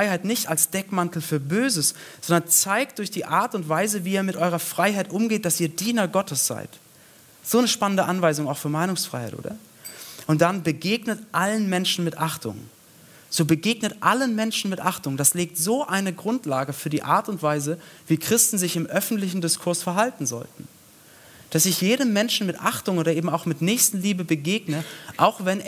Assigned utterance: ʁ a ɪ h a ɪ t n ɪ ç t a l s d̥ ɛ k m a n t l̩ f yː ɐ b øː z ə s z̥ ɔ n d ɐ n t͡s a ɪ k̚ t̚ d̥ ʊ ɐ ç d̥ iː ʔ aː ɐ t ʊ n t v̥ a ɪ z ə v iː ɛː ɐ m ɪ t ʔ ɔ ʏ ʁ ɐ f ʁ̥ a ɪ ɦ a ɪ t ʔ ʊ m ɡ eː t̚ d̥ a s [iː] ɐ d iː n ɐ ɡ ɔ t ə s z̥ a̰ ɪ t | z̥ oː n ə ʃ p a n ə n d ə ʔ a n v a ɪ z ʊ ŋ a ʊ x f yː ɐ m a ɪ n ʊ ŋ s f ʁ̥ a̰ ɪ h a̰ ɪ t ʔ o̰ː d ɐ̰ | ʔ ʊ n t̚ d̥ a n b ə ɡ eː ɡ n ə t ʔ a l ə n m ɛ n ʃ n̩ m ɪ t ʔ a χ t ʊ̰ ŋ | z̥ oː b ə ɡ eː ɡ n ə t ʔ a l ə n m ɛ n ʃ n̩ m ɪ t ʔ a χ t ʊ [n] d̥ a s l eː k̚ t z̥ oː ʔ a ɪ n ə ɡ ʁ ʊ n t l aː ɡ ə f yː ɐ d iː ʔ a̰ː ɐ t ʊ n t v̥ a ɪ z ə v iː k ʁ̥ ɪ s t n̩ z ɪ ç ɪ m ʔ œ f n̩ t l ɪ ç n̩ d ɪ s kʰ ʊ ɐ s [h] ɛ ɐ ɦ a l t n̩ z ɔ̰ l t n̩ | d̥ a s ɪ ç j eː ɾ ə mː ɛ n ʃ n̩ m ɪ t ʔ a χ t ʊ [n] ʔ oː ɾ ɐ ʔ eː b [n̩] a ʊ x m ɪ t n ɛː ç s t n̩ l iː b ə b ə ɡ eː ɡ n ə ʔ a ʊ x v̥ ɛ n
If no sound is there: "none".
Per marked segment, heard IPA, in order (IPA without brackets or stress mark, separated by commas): iː, ŋ, f, ŋ, m̩